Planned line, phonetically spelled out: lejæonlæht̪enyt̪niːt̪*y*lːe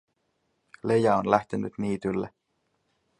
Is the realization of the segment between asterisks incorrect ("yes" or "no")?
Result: no